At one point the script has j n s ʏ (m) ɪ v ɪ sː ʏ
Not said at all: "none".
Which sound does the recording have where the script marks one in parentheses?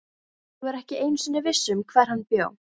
n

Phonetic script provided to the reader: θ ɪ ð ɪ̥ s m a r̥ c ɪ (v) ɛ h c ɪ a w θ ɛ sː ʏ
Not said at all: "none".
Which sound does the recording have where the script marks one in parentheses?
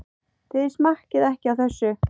ð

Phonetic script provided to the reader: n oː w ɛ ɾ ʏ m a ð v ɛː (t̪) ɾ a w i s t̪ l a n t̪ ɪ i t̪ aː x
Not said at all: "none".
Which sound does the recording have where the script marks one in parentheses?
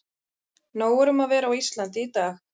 none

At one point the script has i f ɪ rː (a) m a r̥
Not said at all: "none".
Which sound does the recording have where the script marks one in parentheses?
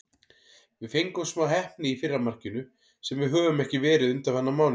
a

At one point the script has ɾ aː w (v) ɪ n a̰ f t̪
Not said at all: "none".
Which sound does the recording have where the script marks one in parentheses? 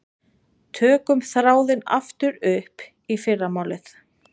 ð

